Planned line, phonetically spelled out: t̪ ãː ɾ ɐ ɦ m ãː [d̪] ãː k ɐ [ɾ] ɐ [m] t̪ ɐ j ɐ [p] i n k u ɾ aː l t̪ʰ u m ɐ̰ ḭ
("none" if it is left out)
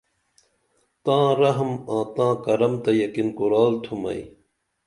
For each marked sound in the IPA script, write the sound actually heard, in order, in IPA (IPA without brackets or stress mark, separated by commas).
t̪, ɾ, m, k